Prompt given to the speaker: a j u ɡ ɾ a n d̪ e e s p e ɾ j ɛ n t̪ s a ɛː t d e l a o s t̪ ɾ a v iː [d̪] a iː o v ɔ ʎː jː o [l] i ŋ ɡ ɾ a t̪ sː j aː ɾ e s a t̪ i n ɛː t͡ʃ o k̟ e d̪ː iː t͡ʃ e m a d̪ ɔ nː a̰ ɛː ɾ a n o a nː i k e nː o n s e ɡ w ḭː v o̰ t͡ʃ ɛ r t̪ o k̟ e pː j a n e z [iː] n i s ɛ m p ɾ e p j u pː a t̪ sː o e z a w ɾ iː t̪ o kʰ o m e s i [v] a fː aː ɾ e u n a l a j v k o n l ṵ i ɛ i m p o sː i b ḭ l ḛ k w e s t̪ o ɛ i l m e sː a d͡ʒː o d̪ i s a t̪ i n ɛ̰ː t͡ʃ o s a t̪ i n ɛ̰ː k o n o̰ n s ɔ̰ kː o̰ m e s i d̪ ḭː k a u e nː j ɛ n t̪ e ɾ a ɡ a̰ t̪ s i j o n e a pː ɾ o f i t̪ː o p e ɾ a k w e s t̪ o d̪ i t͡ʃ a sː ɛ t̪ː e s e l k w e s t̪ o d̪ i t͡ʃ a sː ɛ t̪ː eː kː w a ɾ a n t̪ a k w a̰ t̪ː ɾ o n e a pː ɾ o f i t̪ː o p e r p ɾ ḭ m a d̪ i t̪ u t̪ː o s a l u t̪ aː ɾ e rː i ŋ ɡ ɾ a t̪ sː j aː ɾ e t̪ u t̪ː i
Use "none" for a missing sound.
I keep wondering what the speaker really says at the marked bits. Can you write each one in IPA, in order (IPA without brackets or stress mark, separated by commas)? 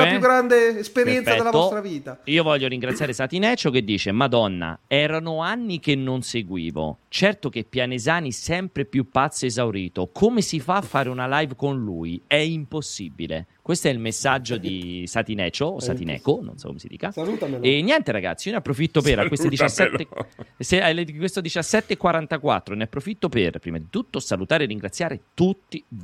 t̪, ɾ, aː, f